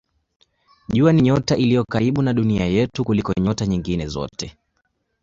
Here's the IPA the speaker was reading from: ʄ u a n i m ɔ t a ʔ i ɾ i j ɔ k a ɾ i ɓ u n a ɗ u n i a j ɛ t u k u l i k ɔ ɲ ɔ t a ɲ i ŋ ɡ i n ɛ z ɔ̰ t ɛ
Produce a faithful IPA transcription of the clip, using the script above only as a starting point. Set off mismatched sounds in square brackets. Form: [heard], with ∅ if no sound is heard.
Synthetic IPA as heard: ʄ u a n i [ɲ] ɔ t a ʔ i [l] i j ɔ k a ɾ i ɓ u n a ɗ u n i a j ɛ t u k u l i k ɔ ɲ ɔ t a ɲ i ŋ ɡ i n ɛ z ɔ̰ t ɛ